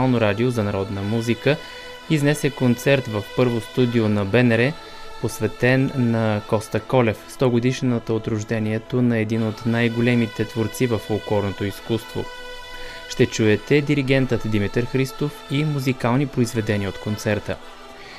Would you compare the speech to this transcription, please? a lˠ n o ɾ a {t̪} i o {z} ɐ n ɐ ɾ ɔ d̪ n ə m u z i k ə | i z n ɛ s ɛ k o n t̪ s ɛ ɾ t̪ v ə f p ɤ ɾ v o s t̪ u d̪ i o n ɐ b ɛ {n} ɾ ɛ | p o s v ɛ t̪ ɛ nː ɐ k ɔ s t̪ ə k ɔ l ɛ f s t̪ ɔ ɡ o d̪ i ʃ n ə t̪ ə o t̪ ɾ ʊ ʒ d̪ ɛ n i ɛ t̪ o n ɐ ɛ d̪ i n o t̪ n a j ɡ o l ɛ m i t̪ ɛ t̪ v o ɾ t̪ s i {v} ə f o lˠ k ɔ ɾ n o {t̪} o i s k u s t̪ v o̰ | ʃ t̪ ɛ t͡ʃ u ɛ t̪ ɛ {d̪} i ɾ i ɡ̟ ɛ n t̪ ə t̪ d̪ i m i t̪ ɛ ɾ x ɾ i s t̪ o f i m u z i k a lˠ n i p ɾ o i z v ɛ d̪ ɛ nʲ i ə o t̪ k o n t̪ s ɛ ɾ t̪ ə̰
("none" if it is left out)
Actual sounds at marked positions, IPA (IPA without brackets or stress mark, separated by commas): d̪, z, n, v, t̪, d̪